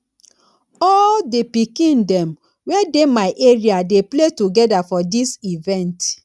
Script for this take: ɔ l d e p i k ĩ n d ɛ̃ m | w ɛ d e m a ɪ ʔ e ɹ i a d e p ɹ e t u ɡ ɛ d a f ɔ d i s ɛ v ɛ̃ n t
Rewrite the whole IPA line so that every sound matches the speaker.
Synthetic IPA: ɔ l d e p i k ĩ n d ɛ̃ m | w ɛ d e m a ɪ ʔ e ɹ i a d e p l e t u ɡ ɛ d a f ɔ d i s i v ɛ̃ n t